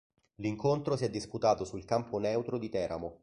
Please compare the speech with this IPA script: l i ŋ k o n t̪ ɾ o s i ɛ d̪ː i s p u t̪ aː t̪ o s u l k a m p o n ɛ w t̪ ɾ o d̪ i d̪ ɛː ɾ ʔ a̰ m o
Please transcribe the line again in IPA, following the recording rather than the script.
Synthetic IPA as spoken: l i ŋ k o n t̪ ɾ o s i ɛ d̪ː i s p u t̪ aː t̪ o s u l k a m p o n ɛ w t̪ ɾ o d̪ i t̪ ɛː ɾ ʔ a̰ m o